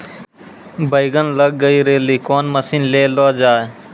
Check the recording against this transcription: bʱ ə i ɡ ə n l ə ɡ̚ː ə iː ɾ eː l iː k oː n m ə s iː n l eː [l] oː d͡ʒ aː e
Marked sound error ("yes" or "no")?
no